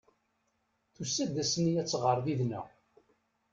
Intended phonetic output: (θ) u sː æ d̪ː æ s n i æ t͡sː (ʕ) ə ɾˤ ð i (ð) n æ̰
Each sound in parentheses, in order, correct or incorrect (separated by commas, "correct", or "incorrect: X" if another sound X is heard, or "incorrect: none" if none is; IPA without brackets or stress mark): correct, incorrect: ʁ, correct